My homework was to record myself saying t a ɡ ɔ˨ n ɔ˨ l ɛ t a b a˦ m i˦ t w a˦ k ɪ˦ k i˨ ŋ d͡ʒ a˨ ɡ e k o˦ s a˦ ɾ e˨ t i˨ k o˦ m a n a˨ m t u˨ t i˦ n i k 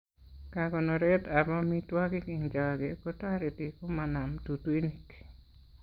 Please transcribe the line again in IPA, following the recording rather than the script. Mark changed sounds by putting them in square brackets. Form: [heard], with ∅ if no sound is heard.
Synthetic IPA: [k] a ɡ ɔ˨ n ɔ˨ [ɾ] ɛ t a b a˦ m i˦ t w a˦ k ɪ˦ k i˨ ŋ d͡ʒ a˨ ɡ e k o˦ [t] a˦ ɾ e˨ t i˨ k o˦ m a n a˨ m t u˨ t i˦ n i k

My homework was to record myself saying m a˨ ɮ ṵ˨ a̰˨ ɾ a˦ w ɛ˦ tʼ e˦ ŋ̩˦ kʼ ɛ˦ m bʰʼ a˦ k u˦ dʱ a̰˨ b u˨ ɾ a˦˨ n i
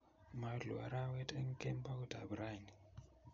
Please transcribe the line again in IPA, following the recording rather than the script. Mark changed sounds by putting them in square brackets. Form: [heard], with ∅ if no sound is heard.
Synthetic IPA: m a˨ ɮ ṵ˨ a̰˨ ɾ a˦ w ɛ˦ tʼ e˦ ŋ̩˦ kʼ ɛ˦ m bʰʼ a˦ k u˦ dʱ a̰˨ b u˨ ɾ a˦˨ n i

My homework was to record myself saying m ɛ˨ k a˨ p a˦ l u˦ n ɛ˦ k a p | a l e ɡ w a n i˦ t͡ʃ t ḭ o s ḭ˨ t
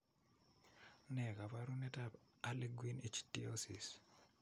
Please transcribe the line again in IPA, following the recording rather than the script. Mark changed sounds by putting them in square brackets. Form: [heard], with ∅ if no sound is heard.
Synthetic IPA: [n] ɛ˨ k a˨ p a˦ [ɾ] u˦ n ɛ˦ [t] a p | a l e ɡ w [i] n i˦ t͡ʃ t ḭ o s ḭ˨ [s]

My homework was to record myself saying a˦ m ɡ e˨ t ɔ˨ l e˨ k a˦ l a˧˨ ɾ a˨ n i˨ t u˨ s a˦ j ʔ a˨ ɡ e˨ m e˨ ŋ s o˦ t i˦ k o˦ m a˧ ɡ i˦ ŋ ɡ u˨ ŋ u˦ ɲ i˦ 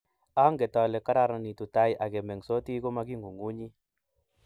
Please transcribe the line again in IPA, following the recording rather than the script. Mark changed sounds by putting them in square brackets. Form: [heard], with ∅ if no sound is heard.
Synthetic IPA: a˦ [ŋ] ɡ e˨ t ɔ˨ l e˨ k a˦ [ɾ] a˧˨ ɾ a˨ n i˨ t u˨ [t] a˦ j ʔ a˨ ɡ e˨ m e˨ ŋ s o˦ t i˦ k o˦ m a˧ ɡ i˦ ŋ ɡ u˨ ŋ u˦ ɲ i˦

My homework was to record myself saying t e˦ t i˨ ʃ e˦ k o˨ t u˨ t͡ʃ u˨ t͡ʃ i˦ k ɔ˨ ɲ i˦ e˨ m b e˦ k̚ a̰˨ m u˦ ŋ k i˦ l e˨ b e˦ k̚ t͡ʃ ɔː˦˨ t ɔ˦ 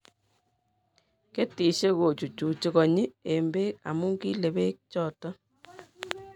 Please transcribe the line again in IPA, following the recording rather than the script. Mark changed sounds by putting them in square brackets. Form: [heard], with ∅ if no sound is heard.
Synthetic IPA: [k] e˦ t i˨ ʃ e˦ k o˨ [t͡ʃ] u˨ t͡ʃ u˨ t͡ʃ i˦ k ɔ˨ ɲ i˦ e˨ m b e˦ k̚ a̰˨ m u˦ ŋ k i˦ l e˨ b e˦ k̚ t͡ʃ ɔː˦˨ t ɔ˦

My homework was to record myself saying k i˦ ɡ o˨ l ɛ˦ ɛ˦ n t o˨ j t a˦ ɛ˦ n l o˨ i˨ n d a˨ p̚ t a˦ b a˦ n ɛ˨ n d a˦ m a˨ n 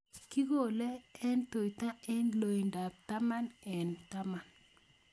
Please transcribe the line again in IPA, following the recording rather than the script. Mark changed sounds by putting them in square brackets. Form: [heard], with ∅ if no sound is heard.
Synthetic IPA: k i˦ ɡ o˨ l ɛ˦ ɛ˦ n t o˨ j t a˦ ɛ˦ n l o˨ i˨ n d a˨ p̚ t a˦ [m] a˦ n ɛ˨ n [t] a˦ m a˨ n

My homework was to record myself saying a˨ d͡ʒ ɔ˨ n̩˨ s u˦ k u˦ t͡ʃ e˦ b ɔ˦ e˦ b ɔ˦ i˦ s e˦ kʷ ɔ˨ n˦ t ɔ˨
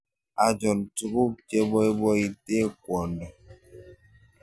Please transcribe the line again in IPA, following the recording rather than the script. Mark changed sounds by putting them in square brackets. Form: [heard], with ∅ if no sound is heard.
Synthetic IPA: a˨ d͡ʒ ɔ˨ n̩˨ [t] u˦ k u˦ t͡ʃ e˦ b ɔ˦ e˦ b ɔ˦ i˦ [t] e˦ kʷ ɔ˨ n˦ [d] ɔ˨

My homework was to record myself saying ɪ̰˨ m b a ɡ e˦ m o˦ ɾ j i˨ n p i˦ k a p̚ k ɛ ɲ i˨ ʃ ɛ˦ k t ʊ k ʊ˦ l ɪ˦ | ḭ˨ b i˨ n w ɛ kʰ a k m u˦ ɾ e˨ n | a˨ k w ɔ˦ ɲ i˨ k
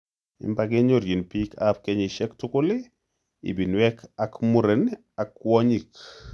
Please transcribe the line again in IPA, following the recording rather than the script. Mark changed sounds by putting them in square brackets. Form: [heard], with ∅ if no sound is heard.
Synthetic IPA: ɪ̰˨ m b a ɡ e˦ [ɲ] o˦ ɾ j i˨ n p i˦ k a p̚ k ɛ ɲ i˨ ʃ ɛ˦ k t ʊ k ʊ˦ l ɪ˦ | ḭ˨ b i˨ n w ɛ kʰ a k m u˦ ɾ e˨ n | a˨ k w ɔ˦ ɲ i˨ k

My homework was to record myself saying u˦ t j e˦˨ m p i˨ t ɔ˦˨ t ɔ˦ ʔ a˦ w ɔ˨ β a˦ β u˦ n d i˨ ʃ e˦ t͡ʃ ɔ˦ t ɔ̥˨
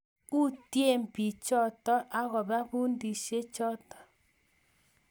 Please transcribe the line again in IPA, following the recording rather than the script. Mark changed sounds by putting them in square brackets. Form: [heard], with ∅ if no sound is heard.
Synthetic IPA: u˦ t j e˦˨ m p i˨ [t͡ʃ] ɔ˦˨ t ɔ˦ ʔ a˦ [ɣ] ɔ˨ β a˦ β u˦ n d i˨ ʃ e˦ t͡ʃ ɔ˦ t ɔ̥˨

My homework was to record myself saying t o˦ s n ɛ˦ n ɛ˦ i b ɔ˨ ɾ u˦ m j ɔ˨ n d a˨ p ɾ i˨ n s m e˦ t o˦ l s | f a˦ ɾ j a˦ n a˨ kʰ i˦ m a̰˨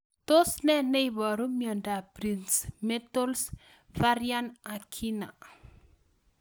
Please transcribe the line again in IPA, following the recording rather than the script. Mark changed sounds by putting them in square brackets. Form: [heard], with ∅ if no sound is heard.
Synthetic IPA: t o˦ s n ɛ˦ n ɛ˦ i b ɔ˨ ɾ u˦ m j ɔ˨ n d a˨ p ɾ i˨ n s m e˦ t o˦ l s | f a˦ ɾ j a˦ n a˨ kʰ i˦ [n] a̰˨

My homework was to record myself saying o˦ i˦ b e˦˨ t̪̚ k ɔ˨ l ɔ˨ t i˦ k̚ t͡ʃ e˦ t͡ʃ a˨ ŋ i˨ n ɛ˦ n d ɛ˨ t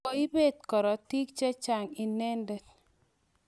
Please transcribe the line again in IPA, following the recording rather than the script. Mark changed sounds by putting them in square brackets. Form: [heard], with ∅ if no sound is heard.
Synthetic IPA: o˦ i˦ b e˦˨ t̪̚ k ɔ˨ [ɾ] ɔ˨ t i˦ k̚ t͡ʃ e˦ t͡ʃ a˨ ŋ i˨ n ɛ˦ n d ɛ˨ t

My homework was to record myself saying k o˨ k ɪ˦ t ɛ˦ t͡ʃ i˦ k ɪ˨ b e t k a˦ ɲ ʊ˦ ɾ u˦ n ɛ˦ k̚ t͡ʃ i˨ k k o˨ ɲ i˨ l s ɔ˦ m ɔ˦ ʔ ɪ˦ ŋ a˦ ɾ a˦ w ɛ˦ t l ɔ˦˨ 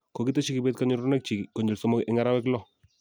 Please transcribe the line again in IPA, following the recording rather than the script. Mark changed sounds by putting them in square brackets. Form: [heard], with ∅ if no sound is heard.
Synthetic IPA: k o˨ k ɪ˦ t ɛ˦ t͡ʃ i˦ k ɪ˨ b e t k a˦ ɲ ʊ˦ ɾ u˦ n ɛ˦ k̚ t͡ʃ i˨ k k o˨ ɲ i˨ l s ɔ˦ m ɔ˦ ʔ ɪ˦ ŋ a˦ ɾ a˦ w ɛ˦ [k] l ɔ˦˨

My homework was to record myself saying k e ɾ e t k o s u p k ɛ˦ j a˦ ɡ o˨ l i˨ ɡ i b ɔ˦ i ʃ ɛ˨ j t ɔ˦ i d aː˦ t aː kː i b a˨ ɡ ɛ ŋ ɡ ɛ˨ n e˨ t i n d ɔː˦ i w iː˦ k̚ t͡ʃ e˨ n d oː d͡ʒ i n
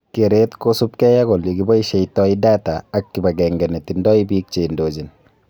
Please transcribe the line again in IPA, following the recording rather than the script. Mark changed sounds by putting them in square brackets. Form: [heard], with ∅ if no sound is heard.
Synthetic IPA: k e ɾ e t k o s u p k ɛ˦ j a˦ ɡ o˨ l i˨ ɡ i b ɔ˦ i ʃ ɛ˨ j t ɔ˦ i d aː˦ t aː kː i b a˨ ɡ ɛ ŋ ɡ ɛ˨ n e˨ t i n d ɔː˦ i [b] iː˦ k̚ t͡ʃ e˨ n d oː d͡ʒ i n

